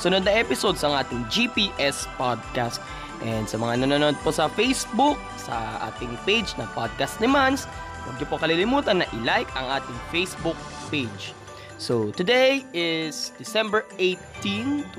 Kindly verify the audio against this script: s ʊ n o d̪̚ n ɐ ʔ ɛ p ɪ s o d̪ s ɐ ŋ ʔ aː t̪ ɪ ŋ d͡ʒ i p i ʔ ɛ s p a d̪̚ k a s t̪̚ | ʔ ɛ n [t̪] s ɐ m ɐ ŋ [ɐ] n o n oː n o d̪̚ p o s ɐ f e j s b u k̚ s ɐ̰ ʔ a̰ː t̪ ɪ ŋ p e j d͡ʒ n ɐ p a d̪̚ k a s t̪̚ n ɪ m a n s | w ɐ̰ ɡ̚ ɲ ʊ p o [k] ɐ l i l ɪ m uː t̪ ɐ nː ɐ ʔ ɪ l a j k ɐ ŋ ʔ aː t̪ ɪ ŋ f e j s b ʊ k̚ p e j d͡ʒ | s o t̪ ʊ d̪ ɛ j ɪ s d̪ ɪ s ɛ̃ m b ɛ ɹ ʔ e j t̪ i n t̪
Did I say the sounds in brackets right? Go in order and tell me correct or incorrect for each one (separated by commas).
incorrect, incorrect, correct